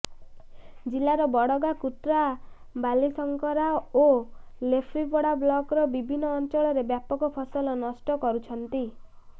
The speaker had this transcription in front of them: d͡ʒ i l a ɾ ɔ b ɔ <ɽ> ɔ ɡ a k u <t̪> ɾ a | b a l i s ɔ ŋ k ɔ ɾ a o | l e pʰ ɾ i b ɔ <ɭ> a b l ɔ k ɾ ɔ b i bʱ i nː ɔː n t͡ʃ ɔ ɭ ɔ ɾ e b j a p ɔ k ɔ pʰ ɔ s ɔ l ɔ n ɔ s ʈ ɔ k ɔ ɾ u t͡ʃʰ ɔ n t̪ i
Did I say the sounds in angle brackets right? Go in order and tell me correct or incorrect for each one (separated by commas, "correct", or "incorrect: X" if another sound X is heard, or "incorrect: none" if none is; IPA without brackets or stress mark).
correct, correct, incorrect: ɽ